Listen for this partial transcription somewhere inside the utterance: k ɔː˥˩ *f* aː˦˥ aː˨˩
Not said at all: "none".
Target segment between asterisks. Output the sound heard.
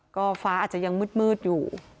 f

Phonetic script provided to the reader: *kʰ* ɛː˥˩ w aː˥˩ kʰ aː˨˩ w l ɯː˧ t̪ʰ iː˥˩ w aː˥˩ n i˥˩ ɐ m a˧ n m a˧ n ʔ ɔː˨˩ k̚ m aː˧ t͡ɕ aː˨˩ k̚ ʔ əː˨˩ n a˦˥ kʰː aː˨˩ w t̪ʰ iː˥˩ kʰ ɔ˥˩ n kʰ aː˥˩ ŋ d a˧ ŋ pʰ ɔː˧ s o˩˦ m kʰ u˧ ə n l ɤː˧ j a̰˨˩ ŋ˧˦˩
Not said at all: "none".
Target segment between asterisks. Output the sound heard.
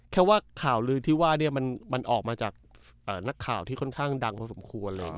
kʰ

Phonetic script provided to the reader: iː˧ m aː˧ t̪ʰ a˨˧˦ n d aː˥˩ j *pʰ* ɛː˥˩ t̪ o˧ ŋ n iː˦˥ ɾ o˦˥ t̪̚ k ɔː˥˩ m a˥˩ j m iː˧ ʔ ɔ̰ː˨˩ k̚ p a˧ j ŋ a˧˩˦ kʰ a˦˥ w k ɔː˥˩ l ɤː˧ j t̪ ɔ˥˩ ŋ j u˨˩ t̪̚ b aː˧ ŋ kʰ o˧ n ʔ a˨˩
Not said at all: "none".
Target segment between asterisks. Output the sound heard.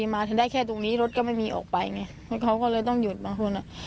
kʰ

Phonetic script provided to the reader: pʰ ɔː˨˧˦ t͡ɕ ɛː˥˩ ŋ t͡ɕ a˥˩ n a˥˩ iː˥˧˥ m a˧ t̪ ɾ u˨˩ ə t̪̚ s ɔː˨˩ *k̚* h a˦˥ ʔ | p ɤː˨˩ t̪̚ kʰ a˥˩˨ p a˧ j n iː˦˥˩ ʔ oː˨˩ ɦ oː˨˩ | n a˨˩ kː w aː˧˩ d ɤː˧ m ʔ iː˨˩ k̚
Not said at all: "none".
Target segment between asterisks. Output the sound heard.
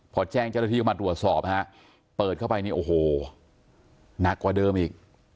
p̚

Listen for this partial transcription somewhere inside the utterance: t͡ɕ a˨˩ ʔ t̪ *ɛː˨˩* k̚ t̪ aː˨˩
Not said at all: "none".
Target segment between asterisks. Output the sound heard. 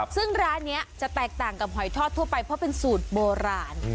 ɛː˨˩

